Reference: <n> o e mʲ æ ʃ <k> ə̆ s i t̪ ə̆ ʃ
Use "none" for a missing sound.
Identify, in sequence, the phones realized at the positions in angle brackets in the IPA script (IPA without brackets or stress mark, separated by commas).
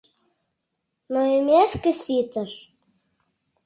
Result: n, k